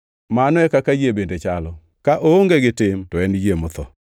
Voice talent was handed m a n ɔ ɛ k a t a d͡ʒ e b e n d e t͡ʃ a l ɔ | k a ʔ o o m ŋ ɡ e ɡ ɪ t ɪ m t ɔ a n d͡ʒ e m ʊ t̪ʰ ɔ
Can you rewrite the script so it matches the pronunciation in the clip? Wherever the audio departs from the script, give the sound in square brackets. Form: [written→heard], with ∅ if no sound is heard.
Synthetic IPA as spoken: m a n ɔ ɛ k a [t→k] a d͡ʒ e b e n d e t͡ʃ a l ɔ | k a ʔ o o [m→∅] ŋ ɡ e ɡ ɪ t ɪ m t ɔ [a→ɛ] n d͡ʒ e m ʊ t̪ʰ ɔ